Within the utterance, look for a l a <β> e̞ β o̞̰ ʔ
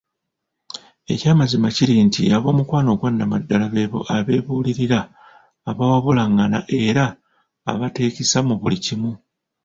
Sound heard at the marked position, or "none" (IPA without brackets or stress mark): β